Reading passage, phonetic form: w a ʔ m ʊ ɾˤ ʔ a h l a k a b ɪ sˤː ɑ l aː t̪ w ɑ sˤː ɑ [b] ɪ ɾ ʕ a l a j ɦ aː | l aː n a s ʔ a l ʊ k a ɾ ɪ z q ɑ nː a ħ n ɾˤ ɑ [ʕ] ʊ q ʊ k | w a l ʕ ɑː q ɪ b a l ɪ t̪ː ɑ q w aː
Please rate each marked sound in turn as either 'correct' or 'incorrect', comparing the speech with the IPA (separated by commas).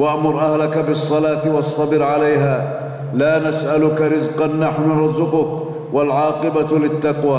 correct, incorrect